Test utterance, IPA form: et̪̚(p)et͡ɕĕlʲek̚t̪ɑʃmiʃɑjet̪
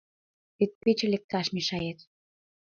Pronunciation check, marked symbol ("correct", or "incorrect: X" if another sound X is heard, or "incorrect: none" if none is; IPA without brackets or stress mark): correct